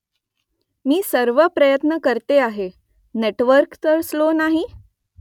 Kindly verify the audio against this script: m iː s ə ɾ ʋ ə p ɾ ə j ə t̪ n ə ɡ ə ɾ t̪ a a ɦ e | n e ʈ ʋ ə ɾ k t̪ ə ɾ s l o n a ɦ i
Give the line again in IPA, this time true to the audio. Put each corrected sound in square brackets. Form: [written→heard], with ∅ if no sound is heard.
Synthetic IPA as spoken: m iː s ə ɾ ʋ ə p ɾ ə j ə t̪ n ə [ɡ→k] ə ɾ t̪ [a→e] a ɦ e | n e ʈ ʋ ə ɾ k t̪ ə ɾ s l o n a ɦ i